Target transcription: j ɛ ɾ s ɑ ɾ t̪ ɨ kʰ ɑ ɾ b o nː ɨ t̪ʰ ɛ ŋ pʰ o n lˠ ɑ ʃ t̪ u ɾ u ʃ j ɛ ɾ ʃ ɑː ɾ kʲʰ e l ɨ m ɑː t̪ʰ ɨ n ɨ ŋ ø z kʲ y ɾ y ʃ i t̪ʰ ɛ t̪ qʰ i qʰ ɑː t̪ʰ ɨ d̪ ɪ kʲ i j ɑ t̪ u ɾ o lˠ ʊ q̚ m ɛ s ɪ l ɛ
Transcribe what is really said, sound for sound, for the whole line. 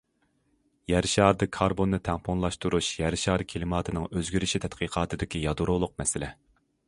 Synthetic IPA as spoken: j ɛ ɾ ʃ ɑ ɾ d̪ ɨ kʰ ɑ ɾ b o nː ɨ t̪ʰ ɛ ŋ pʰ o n lˠ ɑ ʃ t̪ u ɾ u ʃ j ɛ ɾ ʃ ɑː ɾ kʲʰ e l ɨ m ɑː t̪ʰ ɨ n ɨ ŋ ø z ɡʲ y ɾ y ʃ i t̪ʰ ɛ t̪ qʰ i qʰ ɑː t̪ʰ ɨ d̪ ɪ kʲ i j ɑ d̪ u ɾ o lˠ ʊ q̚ m ɛ s ɪ l ɛ

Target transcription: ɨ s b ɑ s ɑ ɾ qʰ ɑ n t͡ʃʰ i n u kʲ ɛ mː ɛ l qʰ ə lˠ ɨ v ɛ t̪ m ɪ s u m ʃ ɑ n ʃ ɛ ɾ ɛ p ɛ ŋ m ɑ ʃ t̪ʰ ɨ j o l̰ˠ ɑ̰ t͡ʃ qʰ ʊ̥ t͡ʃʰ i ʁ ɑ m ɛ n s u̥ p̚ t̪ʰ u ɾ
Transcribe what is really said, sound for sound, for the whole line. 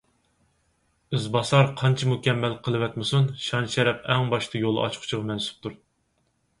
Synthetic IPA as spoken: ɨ z b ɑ s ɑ ɾ qʰ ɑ n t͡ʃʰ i m u kʲ ɛ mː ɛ l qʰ ə lˠ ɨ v ɛ t̪ m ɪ s u n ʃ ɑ n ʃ ɛ ɾ ɛ p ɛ ŋ b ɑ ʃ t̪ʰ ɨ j o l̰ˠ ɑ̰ t͡ʃ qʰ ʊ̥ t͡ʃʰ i ʁ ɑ m ɛ n s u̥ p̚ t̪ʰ u ɾ

